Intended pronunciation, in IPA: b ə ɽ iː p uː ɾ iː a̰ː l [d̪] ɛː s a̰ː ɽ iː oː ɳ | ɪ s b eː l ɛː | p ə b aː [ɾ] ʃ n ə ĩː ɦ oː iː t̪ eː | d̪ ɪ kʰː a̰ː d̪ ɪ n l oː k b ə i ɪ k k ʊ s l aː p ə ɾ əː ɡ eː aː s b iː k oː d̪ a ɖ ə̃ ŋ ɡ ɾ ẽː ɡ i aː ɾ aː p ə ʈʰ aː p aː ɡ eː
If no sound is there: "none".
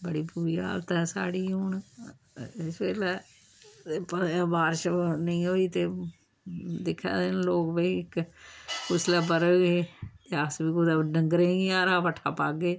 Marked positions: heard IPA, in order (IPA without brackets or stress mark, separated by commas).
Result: t̪, ɾ